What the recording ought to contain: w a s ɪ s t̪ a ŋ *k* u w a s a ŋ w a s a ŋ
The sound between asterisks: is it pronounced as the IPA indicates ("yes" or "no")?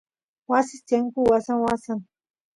yes